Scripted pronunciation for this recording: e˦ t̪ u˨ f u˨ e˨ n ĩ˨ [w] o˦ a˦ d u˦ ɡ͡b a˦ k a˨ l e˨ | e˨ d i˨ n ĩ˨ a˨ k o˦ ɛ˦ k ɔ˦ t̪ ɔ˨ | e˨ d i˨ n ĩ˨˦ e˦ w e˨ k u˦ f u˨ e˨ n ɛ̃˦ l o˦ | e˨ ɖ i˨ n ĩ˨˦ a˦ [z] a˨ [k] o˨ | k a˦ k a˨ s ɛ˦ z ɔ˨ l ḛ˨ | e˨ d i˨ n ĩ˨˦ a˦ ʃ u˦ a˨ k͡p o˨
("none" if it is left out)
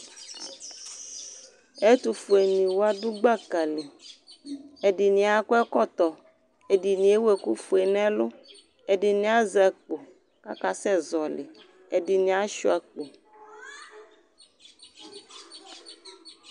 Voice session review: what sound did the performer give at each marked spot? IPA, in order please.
w, z, k͡p

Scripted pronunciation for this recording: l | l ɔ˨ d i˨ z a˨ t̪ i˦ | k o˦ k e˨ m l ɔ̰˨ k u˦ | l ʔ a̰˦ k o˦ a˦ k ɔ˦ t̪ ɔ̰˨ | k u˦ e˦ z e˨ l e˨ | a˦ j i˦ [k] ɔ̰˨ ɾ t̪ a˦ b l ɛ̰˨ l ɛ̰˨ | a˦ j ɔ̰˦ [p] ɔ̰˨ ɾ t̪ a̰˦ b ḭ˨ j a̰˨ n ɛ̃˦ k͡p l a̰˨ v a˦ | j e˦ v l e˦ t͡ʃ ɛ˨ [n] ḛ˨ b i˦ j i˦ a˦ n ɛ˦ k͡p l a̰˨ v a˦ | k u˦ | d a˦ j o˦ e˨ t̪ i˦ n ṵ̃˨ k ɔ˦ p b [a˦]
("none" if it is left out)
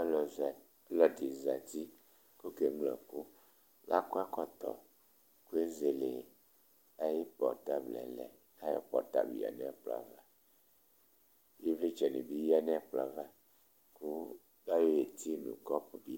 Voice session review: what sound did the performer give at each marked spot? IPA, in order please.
p, p, n, i˦

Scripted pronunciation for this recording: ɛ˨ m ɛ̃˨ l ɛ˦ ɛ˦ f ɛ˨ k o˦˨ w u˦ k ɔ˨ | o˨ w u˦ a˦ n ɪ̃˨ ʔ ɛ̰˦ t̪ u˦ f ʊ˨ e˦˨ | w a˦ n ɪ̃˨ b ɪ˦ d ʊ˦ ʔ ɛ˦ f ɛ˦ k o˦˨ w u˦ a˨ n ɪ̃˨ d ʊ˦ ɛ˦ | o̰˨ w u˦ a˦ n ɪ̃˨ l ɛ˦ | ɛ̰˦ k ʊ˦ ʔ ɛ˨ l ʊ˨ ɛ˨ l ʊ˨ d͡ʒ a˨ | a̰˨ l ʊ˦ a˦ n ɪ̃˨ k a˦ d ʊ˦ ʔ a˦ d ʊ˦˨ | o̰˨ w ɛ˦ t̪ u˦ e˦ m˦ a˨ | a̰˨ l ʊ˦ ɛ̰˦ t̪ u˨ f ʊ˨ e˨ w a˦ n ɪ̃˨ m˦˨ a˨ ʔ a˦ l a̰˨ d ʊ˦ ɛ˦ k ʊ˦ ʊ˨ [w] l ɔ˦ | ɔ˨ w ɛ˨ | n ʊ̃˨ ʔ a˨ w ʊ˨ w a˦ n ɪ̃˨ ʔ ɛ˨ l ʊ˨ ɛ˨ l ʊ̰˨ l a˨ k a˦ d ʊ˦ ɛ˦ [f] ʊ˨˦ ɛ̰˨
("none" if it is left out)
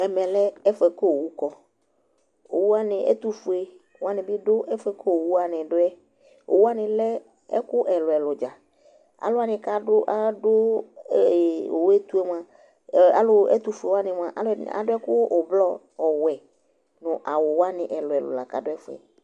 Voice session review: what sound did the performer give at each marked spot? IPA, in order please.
b, f

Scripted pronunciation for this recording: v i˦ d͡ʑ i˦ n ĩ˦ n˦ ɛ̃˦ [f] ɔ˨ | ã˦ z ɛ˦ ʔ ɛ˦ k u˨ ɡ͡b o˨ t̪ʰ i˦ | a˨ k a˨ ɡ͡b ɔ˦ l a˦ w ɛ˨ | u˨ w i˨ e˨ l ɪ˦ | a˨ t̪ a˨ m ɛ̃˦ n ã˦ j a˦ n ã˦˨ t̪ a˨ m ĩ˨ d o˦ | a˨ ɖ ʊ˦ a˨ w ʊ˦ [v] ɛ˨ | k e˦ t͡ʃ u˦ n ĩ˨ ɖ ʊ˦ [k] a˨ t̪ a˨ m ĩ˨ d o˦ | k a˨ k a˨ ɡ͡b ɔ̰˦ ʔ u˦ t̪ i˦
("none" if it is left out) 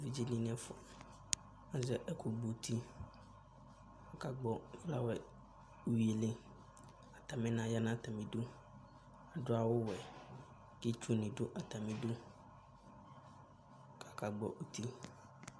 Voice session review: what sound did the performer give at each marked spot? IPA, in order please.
f, w, ʔ

